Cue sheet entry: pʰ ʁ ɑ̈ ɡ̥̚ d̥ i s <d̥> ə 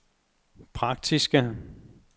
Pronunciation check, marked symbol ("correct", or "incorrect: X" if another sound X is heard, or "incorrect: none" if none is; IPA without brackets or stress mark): incorrect: ɡ̥